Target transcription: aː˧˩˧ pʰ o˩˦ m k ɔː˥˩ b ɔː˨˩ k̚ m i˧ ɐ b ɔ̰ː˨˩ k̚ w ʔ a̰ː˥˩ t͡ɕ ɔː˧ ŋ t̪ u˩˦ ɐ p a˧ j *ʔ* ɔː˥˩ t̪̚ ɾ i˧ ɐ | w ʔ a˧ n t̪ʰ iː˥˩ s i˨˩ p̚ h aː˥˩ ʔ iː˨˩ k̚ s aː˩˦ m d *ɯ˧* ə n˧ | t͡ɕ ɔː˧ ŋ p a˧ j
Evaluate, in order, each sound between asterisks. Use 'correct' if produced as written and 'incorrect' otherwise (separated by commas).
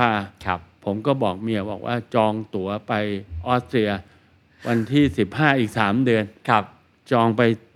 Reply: correct, correct